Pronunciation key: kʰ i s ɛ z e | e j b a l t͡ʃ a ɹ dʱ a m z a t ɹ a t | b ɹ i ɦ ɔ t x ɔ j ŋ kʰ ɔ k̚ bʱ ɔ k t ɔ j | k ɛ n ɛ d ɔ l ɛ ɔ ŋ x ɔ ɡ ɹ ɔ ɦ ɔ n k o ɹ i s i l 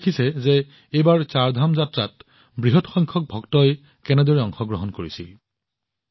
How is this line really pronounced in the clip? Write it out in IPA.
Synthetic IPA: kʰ i s ɛ z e | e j b a ɹ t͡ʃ a ɹ dʱ a m z a t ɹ a t | b ɹ i ɦ ɔ t x ɔ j ŋ kʰ ɔ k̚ bʱ ɔ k t ɔ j | k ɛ n ɛ d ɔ ɹ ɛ ɔ ŋ x ɔ ɡ ɹ ɔ ɦ ɔ n k o ɹ i s i l